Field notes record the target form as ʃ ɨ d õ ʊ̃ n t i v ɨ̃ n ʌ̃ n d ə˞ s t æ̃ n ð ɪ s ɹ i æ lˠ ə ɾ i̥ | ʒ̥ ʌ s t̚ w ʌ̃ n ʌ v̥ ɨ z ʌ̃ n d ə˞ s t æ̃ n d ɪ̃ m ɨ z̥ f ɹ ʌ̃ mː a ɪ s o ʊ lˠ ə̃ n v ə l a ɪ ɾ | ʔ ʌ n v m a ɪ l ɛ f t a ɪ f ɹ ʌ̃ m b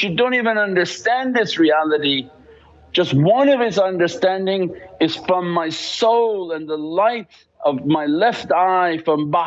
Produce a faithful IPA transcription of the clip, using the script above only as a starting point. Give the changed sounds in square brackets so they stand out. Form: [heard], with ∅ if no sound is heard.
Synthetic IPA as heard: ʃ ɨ d õ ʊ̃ n t i v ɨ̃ n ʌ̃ n d ə˞ s t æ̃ n ð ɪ s ɹ i æ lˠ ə ɾ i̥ | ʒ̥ ʌ s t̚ w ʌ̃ n ʌ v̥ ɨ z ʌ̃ n d ə˞ s t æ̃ n d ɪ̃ [ŋ] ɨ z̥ f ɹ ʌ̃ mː a ɪ s o ʊ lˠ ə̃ n [ð] ə l a ɪ ɾ | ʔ ʌ [∅] v m a ɪ l ɛ f t a ɪ f ɹ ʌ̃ m b